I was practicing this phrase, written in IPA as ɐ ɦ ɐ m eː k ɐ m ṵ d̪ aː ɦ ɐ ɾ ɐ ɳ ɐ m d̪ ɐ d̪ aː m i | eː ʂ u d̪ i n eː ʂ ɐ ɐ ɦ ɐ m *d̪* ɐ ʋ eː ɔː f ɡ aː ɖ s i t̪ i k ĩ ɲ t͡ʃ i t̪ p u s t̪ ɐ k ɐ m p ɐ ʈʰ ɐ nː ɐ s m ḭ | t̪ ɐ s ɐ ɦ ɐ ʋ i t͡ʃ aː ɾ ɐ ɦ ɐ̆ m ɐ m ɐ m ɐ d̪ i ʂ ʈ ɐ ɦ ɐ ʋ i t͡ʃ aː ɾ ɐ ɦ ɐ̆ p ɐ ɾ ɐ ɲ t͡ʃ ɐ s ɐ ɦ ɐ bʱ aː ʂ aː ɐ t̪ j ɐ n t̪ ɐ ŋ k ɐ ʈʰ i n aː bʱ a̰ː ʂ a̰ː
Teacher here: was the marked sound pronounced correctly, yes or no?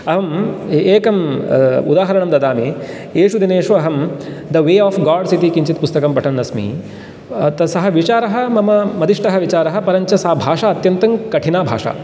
yes